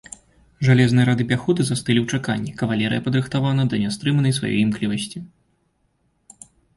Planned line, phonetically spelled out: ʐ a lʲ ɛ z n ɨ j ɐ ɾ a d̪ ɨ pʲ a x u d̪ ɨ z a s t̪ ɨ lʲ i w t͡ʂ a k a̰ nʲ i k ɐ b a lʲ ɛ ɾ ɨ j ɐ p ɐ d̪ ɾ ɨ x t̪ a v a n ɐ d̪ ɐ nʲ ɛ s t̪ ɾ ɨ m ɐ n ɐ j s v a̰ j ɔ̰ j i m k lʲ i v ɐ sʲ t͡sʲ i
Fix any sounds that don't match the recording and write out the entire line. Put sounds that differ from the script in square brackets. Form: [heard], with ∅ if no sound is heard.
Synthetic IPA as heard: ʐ a lʲ ɛ z n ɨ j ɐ ɾ a d̪ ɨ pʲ a x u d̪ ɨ z a s t̪ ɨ lʲ i w t͡ʂ a k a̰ [nʲː] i k ɐ [v] a lʲ ɛ ɾ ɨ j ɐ p ɐ d̪ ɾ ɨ x t̪ a v a n ɐ d̪ ɐ nʲ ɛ s t̪ ɾ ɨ m ɐ n ɐ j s v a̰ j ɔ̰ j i m k lʲ i v ɐ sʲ t͡sʲ i